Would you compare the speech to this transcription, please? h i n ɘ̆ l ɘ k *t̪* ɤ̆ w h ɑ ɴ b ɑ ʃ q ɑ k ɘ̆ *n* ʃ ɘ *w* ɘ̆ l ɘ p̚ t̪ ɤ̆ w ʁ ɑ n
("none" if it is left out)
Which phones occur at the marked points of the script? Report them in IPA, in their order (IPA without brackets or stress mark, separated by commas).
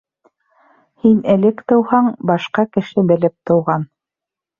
t̪, none, b